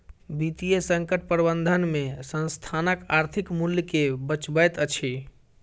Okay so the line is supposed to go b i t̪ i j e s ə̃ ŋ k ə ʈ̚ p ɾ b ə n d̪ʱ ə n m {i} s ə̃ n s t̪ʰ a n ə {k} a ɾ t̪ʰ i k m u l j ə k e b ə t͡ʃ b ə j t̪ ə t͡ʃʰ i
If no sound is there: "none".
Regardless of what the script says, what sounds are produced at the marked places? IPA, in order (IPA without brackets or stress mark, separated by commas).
e, k